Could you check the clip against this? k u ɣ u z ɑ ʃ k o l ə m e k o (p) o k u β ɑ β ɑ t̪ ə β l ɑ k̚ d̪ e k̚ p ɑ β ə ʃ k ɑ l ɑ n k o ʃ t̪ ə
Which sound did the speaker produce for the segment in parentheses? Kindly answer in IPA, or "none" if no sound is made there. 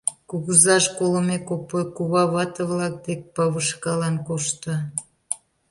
p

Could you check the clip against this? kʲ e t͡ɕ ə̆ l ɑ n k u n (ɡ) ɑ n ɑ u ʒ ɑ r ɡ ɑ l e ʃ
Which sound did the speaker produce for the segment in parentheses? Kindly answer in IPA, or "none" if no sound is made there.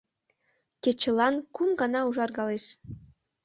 ɡ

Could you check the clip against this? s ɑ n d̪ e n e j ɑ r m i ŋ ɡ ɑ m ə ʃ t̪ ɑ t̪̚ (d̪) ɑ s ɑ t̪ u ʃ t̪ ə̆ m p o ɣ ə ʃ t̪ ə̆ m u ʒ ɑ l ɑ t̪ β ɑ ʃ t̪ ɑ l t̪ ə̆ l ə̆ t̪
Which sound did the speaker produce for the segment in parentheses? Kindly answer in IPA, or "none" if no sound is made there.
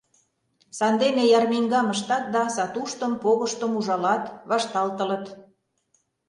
d̪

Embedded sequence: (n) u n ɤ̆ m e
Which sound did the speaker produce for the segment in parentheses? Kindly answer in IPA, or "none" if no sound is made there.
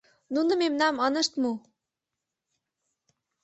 n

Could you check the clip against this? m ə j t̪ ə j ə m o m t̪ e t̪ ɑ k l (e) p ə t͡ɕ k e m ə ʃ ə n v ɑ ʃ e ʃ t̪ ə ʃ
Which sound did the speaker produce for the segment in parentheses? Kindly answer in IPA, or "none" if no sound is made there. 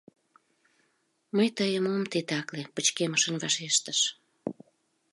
e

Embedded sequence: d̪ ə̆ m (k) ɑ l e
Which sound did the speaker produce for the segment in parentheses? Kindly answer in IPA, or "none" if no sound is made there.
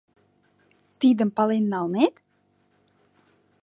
p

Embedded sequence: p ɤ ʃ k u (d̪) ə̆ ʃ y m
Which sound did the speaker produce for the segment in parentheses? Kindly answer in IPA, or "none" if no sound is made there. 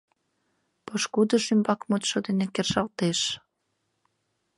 d̪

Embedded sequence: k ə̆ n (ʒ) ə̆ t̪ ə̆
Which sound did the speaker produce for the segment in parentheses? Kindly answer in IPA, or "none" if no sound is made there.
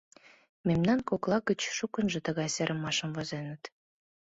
ʒ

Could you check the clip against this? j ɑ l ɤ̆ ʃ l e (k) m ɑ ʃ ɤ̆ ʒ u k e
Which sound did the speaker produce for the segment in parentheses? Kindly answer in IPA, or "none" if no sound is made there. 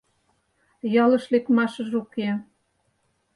k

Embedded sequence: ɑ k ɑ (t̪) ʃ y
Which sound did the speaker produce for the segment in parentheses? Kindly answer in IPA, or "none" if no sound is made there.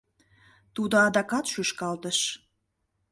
t̪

